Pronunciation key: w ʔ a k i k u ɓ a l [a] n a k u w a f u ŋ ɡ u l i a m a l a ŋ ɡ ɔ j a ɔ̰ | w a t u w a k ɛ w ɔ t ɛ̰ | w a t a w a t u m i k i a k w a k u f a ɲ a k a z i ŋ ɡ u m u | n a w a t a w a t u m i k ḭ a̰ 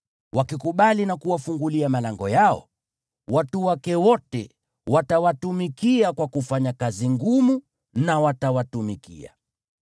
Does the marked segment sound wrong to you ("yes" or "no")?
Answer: yes